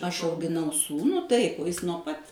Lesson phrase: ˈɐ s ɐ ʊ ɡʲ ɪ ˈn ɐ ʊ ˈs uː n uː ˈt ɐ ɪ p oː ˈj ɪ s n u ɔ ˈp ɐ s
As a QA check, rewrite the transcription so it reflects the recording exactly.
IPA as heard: ˈɐ ʃ ɐ ʊ ɡʲ ɪ ˈn ɐ ʊ ˈs uː n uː ˈt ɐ ɪ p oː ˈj ɪ s n u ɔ ˈp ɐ t